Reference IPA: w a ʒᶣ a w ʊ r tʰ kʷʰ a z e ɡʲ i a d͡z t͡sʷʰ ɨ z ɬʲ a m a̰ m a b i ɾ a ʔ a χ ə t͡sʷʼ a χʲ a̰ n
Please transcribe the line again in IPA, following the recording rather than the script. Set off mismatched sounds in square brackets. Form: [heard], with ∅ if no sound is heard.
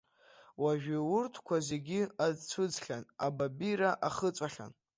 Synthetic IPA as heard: w a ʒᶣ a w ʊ r tʰ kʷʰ a z e ɡʲ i a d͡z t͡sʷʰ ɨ [d͡z] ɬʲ a [n] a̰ [b] a b i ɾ a ʔ a χ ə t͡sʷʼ a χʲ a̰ n